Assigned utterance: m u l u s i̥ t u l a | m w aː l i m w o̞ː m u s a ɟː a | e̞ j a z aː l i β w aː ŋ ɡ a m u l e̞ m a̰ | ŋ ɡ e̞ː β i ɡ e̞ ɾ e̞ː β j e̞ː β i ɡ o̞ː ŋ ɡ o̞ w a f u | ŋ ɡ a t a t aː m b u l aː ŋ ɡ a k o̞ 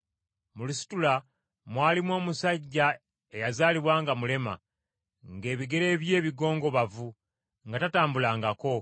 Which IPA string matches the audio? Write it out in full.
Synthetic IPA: m u l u s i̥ t u l a | m w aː l i m w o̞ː m u s a ɟː a | e̞ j a z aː l i β w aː ŋ ɡ a m u l e̞ m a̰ | ŋ ɡ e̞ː β i ɡ e̞ ɾ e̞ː β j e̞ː β i ɡ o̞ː ŋ ɡ o̞ β a v u | ŋ ɡ a t a t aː m b u l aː ŋ ɡ a k o̞